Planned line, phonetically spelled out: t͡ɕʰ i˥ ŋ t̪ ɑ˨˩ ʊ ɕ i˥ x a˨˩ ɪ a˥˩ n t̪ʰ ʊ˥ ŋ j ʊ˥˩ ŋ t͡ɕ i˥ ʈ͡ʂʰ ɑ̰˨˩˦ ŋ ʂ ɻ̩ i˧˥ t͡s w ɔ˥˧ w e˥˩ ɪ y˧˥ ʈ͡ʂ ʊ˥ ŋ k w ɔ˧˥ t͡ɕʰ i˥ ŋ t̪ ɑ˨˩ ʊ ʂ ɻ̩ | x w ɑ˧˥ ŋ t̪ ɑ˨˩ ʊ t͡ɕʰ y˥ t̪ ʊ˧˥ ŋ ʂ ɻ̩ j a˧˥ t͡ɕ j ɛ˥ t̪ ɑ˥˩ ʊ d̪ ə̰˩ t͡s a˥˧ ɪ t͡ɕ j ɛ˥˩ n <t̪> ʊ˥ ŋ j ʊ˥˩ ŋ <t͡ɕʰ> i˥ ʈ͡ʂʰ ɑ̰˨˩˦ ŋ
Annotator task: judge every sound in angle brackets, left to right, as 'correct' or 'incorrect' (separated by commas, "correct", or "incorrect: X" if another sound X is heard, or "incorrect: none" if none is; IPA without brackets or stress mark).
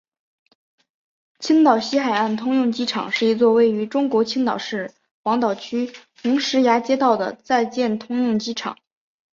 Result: incorrect: t̪ʰ, incorrect: t͡ɕ